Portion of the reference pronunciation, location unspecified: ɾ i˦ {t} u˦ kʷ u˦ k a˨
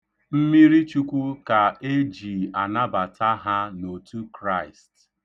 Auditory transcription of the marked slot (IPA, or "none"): t͡ʃ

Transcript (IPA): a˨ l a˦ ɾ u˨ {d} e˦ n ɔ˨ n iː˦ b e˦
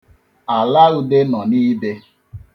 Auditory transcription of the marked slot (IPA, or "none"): d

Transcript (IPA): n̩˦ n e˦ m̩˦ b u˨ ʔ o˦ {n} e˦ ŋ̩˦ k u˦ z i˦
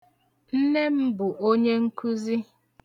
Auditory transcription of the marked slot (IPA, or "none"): ɲ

